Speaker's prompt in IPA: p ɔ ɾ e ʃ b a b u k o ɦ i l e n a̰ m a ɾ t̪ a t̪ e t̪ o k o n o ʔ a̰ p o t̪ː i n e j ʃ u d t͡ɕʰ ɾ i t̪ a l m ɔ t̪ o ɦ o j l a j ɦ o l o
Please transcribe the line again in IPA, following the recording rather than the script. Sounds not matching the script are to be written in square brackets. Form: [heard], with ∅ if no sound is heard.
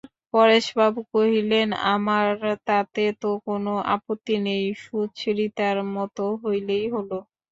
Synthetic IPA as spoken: p ɔ ɾ e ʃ b a b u k o ɦ i l e n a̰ m a ɾ t̪ a t̪ e t̪ o k o n o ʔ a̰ p o t̪ː i n e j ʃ u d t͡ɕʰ ɾ i t̪ a [ɾ] m ɔ t̪ o ɦ o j l [e] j ɦ o l o